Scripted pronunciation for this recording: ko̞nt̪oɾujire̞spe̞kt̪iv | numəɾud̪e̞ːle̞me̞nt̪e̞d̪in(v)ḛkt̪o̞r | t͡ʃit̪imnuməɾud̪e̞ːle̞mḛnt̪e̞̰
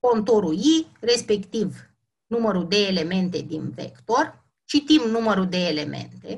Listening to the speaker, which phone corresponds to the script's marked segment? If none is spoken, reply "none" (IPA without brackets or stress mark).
v